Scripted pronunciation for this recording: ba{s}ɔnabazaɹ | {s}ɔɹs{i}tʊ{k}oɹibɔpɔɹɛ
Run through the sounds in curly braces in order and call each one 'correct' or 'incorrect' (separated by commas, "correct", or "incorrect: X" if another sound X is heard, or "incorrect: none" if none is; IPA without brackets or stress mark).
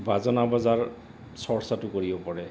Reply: incorrect: z, correct, incorrect: a, correct